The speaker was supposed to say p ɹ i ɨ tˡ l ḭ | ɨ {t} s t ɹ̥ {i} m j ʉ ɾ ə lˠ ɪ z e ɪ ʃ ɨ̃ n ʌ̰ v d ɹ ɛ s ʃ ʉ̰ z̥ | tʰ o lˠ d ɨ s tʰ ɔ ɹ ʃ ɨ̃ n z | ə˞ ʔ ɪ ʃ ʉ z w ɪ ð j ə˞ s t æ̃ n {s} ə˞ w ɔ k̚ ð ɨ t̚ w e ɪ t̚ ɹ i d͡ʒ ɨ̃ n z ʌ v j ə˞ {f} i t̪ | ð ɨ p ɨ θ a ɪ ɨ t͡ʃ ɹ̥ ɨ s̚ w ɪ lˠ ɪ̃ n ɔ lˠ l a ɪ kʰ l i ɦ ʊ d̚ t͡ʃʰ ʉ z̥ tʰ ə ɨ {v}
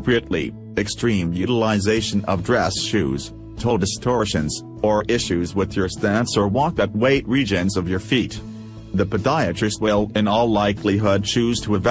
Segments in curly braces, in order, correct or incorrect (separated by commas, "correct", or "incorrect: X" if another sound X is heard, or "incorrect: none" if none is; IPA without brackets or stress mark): incorrect: k, incorrect: ĩ, correct, correct, correct